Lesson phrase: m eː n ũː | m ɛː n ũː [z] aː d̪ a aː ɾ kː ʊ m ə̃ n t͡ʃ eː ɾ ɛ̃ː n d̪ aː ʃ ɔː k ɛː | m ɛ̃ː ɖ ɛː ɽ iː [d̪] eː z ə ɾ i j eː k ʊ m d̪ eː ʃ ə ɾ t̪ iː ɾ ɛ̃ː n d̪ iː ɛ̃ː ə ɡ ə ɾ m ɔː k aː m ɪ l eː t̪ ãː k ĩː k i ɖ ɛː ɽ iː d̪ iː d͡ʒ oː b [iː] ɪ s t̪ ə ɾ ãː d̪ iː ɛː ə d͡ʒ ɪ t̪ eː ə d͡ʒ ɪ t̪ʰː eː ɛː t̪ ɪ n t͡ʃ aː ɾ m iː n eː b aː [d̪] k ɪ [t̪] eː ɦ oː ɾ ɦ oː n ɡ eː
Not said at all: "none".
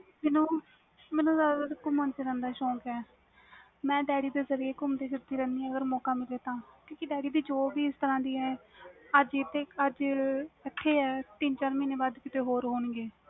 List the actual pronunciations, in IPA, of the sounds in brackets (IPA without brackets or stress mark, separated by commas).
z, d̪, iː, d̪, t̪